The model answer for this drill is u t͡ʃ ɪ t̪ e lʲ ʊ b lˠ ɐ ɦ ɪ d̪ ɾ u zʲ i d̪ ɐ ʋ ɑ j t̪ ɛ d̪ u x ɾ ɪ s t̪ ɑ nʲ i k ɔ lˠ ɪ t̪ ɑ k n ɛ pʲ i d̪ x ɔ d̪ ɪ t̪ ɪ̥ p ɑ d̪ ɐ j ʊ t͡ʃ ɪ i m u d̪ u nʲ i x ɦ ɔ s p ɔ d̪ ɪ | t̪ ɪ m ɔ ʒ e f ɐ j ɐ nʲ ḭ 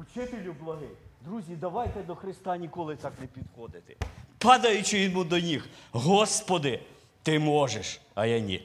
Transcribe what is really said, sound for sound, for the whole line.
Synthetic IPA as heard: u t͡ʃ ɪ t̪ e lʲ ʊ b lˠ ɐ ɦ ɪ d̪ ɾ u zʲ i d̪ ɐ ʋ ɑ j t̪ ɛ d̪ ɔ x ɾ ɪ s t̪ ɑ nʲ i k ɔ lˠ ɪ t̪ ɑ k n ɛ pʲ i d̪ x ɔ d̪ ɪ t̪ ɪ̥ p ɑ d̪ ɐ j ʊ t͡ʃ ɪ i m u d̪ ɔ nʲ i x ɦ ɔ s p ɔ d̪ ɪ | t̪ ɪ m ɔ ʒ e ʃ ɐ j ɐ nʲ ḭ